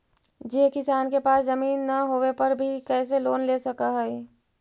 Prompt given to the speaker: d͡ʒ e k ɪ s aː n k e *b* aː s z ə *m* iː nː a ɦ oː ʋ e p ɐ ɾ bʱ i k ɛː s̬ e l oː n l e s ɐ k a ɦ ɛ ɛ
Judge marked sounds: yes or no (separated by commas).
no, yes